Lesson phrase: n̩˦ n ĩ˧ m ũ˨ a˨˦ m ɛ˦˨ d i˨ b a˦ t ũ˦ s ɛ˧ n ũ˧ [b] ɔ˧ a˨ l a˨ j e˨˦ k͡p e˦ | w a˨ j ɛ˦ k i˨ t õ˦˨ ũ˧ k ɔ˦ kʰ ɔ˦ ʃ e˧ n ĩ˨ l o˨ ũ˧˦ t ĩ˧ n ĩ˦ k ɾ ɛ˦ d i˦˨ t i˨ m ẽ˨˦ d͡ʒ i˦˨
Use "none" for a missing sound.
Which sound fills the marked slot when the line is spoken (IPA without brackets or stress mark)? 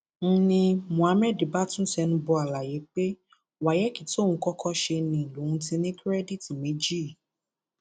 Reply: b